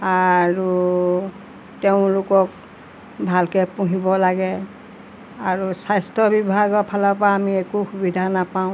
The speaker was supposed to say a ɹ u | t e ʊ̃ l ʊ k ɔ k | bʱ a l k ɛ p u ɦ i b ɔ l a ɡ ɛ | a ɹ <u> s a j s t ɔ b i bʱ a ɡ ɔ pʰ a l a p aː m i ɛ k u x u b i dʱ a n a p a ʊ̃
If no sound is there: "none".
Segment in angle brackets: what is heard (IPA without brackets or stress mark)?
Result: u